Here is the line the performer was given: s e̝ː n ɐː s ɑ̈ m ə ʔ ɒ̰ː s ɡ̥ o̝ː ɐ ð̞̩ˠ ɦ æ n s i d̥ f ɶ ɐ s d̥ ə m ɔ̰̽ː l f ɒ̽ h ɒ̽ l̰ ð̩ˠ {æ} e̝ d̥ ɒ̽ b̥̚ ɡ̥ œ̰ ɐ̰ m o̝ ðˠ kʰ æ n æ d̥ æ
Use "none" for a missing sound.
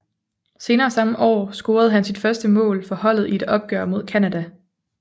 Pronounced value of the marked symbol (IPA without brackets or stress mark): i